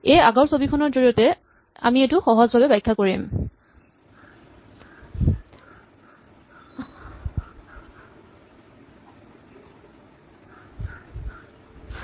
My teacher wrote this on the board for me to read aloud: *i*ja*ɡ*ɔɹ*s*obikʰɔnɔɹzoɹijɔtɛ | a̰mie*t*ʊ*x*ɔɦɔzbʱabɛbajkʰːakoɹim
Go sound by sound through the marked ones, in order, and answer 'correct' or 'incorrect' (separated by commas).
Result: incorrect, correct, correct, correct, correct